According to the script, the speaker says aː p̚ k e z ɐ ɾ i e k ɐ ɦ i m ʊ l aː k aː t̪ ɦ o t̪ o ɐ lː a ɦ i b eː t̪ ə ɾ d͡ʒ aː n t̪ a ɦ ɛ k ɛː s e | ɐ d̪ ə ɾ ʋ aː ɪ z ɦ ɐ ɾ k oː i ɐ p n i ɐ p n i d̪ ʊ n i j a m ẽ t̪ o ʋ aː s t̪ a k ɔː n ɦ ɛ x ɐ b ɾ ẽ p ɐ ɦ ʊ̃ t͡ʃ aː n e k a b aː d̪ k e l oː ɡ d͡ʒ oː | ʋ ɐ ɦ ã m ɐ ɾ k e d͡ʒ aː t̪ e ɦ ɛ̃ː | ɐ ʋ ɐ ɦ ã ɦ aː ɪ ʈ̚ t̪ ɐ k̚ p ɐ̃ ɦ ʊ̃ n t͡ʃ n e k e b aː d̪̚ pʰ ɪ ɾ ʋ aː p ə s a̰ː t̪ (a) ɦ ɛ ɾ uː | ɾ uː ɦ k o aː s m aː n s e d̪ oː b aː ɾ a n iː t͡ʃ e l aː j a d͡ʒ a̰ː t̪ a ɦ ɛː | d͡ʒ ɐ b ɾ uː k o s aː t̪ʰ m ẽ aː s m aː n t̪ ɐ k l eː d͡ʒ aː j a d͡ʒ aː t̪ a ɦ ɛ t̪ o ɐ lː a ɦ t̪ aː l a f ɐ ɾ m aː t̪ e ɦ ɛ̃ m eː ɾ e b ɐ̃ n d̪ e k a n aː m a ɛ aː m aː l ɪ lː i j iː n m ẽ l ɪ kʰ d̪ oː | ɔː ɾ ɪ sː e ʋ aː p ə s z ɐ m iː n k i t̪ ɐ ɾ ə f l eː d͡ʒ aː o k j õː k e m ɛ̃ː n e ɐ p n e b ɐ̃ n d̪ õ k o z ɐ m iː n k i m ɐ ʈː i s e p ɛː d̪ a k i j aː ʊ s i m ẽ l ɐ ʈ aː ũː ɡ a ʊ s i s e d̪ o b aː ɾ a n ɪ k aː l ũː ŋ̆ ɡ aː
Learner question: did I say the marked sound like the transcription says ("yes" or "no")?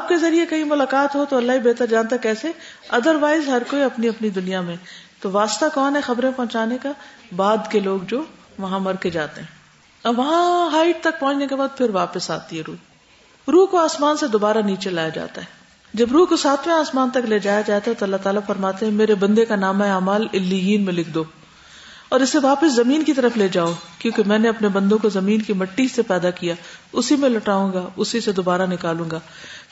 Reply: no